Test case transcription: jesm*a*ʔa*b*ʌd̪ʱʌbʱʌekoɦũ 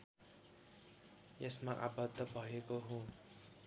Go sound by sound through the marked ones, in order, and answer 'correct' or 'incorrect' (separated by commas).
correct, correct